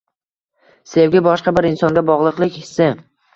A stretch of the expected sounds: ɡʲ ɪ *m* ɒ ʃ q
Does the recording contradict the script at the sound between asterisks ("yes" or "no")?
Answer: yes